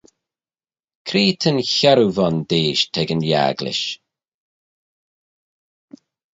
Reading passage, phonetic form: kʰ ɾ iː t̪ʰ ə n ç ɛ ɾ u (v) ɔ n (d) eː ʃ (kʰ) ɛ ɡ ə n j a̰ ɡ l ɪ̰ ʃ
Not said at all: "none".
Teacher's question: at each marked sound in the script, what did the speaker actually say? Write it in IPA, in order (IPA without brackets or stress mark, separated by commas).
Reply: v, d, tʰ